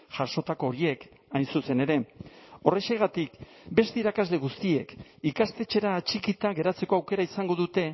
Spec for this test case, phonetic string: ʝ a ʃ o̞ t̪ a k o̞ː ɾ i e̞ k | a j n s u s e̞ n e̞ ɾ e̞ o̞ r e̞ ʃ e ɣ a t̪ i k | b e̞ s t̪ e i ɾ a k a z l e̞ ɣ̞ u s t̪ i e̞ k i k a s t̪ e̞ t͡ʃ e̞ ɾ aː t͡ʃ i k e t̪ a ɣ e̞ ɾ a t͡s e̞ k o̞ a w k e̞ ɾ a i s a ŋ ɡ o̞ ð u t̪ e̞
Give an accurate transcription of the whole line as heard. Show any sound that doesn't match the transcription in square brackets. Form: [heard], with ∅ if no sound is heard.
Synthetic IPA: ʝ a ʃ o̞ t̪ a k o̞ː ɾ i e̞ k | a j n s u s e̞ n e̞ ɾ e̞ o̞ r e̞ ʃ e ɣ a t̪ i k | b e̞ s t̪ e i ɾ a k a z l e̞ ɣ̞ u s t̪ i e̞ k i k a s t̪ e̞ t͡ʃ e̞ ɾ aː t͡ʃ i k [i] t̪ a ɣ e̞ ɾ a t͡s e̞ k o̞ a w k e̞ ɾ a i s a ŋ ɡ o̞ ð u t̪ e̞